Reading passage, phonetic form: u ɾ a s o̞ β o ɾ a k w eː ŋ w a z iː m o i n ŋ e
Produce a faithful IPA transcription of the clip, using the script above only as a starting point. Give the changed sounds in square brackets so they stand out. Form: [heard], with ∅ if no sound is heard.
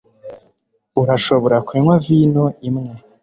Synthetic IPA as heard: u ɾ a [ʃ] o̞ β o ɾ a k w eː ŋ w a [v] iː [n] o i [m] ŋ e